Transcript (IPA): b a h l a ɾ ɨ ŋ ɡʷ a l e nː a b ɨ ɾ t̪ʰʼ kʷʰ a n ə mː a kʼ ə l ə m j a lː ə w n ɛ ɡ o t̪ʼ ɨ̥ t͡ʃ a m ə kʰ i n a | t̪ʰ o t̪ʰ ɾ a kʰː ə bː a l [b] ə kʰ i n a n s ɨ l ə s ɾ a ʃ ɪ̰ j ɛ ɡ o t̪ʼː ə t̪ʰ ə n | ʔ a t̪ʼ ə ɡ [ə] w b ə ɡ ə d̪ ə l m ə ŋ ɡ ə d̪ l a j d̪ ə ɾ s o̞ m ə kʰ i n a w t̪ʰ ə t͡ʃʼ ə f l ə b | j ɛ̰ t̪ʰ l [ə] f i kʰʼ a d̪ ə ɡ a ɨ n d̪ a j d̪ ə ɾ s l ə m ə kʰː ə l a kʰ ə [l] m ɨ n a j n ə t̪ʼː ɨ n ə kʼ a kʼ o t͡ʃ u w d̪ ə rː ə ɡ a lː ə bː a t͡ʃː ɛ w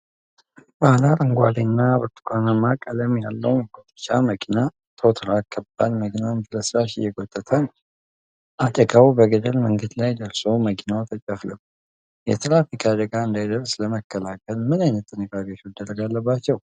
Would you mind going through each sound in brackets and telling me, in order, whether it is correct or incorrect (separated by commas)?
incorrect, incorrect, incorrect, correct